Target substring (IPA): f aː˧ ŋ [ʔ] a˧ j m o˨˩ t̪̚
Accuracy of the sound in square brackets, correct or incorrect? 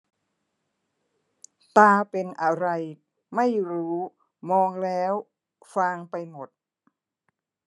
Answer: incorrect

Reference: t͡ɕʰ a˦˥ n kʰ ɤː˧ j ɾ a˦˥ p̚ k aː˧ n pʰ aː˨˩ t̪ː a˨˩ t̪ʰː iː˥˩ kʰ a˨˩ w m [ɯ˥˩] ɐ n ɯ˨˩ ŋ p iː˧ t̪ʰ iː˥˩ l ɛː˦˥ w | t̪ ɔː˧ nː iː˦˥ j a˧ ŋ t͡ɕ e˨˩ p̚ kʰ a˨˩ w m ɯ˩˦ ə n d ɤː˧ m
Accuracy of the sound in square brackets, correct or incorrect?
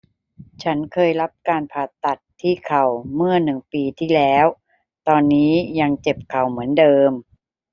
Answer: correct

